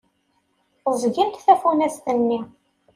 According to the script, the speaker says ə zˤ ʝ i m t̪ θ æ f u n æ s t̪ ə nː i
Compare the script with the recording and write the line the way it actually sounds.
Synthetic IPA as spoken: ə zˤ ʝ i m t̪ θ æ f u n æ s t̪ ə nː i